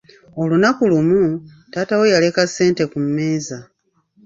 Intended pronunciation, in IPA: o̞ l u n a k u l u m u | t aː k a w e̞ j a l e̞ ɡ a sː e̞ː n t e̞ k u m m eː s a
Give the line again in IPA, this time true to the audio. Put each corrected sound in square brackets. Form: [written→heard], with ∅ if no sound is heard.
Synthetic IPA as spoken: o̞ l u n a k u l u m u | t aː [k→t] a w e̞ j a l e̞ [ɡ→k] a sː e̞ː n t e̞ k u m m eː [s→z] a